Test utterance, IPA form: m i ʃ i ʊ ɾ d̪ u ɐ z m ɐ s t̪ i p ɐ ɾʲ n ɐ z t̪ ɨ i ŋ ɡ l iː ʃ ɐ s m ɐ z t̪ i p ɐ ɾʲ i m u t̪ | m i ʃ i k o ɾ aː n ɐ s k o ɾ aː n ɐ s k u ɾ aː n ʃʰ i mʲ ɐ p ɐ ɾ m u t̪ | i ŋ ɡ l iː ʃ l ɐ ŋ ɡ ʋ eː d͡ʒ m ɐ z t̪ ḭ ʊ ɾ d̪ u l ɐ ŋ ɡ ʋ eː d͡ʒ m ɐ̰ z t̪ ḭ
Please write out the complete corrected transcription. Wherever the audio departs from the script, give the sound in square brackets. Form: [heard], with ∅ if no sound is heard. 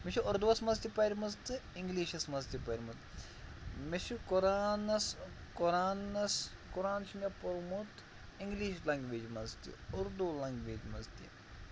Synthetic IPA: m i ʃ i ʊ ɾ d̪ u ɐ [s] m ɐ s t̪ i p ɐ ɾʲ [m] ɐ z t̪ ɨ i ŋ ɡ l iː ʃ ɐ s m ɐ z t̪ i p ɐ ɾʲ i m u t̪ | m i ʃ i k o ɾ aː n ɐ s k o ɾ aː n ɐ s k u ɾ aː n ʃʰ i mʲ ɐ p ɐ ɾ m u t̪ | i ŋ ɡ l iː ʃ l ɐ ŋ ɡ ʋ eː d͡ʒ m ɐ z t̪ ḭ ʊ ɾ d̪ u l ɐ ŋ ɡ ʋ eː d͡ʒ m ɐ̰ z t̪ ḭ